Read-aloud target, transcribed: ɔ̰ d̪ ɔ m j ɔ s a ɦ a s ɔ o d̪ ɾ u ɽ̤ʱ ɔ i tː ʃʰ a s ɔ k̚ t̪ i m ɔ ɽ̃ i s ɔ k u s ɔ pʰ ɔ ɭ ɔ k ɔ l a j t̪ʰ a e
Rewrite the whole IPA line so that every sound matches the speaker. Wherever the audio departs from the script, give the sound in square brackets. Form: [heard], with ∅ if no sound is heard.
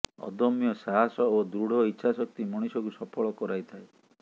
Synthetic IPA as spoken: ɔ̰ d̪ ɔ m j ɔ s a ɦ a s ɔ o d̪ ɾ u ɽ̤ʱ ɔ i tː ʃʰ a s ɔ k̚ t̪ i m ɔ ɽ̃ i s ɔ k u s ɔ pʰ ɔ ɭ ɔ k ɔ [ɾ] a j t̪ʰ a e